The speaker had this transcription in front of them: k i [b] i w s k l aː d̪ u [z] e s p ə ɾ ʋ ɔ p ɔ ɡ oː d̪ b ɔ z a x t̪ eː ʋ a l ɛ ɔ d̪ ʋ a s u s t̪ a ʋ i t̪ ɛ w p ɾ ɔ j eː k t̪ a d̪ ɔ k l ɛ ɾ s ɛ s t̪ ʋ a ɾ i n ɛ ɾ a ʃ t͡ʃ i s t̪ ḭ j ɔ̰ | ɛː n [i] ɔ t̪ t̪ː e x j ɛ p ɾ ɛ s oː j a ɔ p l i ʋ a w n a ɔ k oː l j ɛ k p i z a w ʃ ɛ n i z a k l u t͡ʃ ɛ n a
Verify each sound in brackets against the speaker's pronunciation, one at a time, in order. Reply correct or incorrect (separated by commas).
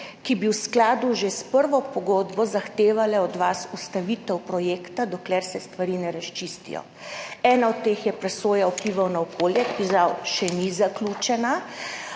correct, incorrect, incorrect